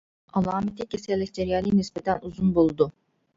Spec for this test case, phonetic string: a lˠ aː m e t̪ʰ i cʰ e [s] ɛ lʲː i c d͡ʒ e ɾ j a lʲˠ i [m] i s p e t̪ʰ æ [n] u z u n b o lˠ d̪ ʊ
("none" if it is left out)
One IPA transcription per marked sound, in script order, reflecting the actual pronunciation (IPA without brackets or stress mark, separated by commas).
s, n, n